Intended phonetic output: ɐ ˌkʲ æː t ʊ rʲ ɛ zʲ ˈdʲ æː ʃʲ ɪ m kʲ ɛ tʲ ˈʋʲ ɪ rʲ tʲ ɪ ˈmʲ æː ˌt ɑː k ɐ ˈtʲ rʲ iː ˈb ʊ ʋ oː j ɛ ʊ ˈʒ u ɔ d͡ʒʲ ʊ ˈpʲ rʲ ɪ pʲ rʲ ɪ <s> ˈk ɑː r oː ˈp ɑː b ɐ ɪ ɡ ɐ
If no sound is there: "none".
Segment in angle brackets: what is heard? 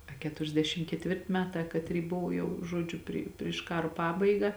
ʃ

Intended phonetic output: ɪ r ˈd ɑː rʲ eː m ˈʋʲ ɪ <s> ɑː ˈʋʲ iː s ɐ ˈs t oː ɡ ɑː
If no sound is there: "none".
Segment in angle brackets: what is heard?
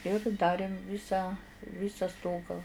s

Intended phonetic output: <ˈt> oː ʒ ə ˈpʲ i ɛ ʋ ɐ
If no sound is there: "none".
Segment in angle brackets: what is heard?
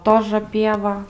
t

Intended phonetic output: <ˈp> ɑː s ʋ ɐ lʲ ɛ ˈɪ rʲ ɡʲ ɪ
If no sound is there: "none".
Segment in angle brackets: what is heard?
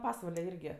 p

